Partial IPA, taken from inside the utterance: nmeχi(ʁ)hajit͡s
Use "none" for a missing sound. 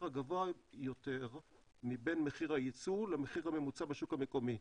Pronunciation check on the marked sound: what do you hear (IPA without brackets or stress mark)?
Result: ʁ